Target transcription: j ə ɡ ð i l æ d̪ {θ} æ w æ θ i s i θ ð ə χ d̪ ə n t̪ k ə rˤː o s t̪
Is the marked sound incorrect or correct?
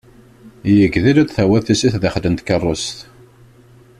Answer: correct